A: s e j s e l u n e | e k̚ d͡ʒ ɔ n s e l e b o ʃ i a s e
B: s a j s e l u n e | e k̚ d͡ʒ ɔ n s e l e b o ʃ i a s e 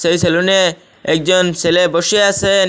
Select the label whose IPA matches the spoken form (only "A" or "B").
A